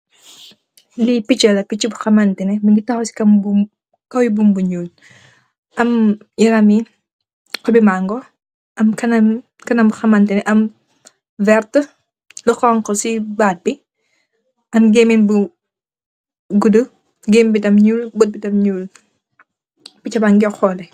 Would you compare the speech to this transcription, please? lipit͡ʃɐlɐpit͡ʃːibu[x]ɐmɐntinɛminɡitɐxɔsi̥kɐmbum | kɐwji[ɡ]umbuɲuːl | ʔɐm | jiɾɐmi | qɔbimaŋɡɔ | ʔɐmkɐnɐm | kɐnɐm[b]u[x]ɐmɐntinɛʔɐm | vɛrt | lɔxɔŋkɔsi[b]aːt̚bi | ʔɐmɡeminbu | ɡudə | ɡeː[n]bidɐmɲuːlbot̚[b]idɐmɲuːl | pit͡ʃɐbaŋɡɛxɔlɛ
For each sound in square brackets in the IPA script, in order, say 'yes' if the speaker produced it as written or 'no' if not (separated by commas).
yes, no, yes, yes, yes, no, yes